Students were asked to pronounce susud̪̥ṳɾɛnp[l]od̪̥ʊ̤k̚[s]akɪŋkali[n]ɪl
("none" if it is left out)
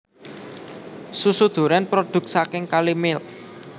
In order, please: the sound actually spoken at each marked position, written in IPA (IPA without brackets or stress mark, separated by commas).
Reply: ɾ, s, m